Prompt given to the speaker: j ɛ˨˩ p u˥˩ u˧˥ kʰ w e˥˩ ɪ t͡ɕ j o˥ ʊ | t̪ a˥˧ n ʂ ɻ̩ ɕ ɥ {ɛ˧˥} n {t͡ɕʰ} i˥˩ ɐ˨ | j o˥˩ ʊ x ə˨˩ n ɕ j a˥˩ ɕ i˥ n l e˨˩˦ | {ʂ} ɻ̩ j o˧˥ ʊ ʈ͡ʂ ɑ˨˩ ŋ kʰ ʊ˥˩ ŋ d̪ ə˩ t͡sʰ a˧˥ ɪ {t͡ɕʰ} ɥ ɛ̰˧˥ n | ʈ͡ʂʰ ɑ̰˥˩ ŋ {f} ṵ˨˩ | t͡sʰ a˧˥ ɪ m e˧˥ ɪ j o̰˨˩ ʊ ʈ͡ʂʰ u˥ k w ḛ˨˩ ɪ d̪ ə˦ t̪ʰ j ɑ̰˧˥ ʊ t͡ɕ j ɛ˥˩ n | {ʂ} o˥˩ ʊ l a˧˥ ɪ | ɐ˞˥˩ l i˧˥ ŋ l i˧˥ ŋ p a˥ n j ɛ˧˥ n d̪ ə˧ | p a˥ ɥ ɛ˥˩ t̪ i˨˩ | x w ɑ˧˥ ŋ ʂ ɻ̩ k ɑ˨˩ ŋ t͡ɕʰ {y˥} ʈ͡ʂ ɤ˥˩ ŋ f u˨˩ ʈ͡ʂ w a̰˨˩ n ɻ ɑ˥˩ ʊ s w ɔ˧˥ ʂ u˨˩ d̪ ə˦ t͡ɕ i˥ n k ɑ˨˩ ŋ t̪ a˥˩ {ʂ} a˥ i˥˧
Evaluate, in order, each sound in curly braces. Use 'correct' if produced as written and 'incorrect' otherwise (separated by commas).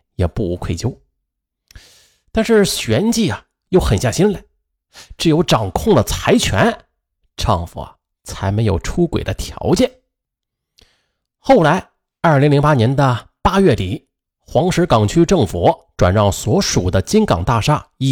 correct, incorrect, incorrect, correct, correct, incorrect, correct, correct